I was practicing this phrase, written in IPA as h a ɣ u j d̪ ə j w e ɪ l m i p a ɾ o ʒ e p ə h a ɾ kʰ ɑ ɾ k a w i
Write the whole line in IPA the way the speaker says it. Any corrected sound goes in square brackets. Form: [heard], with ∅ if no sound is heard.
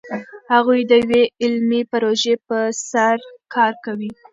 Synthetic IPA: h a ɣ u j d̪ ə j w e ɪ l m i p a ɾ o ʒ e p ə [s] a ɾ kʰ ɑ ɾ k a w i